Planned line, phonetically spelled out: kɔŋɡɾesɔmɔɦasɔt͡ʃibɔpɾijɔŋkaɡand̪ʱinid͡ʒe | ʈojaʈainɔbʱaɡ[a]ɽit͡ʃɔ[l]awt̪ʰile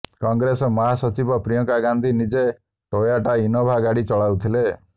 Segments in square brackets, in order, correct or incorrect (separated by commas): correct, incorrect